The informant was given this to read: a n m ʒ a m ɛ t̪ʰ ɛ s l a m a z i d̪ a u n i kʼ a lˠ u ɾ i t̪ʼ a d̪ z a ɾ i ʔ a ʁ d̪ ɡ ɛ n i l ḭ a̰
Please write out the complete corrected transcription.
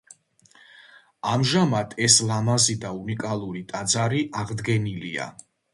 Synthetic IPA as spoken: a m ʒ a m a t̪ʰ ɛ s l a m a z i d̪ a u n i kʼ a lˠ u ɾ i t̪ʼ a d̪ z a ɾ i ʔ a ʁ d̪ ɡ ɛ n i l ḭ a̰